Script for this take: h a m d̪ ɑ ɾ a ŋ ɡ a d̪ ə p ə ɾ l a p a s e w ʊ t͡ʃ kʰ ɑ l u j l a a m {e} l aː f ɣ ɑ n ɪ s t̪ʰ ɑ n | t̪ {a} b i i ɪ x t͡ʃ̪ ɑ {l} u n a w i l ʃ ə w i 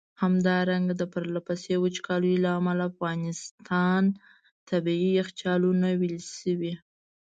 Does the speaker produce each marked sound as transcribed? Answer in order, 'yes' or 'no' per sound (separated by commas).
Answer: no, yes, yes